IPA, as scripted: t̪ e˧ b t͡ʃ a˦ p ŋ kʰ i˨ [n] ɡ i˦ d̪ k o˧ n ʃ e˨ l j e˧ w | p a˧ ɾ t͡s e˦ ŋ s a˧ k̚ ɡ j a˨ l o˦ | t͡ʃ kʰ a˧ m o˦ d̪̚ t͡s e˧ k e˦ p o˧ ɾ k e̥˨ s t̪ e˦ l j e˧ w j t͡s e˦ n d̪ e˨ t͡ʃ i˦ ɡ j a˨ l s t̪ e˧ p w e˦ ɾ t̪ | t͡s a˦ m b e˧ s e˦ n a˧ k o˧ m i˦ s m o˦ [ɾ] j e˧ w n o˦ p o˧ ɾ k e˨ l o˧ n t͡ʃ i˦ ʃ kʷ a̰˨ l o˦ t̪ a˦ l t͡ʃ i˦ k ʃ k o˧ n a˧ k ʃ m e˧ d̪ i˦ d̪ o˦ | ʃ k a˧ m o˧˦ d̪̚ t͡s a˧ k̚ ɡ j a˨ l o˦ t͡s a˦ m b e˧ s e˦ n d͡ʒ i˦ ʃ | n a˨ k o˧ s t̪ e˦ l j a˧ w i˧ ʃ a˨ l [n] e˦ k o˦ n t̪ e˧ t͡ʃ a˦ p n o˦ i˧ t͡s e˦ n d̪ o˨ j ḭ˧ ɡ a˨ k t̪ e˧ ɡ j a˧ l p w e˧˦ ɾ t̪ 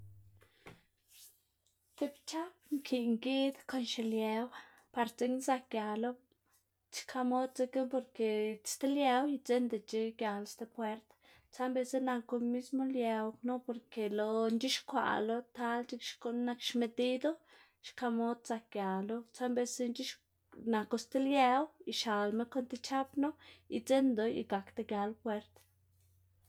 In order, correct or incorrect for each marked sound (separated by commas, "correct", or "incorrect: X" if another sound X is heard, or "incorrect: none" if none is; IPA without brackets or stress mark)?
incorrect: ŋ, incorrect: l, incorrect: m